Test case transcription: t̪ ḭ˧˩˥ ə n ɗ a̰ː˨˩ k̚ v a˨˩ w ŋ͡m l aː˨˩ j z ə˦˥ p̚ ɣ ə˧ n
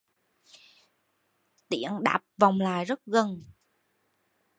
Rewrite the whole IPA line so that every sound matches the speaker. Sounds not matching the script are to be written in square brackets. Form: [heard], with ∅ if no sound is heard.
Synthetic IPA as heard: t̪ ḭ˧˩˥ ə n ɗ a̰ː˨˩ [p̚] v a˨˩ w ŋ͡m l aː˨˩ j z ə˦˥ [t̚] ɣ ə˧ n